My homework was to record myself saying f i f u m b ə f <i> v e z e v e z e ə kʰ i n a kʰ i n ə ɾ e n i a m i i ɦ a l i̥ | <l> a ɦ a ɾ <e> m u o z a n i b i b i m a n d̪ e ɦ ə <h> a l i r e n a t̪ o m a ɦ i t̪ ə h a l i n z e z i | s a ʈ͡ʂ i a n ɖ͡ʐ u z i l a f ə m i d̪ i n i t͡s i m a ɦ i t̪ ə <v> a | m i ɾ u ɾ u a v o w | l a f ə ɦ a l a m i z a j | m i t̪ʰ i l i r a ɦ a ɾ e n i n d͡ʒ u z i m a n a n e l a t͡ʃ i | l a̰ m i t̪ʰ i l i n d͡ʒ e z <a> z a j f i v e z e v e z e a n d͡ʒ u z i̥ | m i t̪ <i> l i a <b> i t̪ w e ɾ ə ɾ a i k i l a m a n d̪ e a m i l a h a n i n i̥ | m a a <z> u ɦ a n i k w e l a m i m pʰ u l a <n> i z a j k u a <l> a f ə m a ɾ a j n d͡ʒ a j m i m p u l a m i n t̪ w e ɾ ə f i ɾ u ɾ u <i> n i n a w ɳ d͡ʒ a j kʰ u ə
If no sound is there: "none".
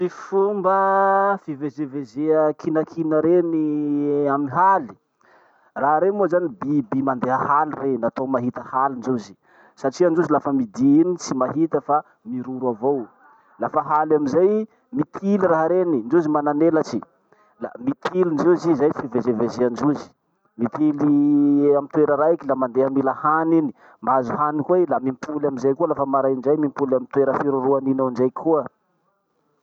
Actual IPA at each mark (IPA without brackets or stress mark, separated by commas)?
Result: i, r, e, h, f, i, i, m, z, m, l, a